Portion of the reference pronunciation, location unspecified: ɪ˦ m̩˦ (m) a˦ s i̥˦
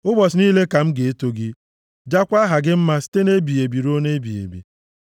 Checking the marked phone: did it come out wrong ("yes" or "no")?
no